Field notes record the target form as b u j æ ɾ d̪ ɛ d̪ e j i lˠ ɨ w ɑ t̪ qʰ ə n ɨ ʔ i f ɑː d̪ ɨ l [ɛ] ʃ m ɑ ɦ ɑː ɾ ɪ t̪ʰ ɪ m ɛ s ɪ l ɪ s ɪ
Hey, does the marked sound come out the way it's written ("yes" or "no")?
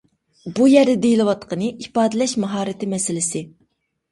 yes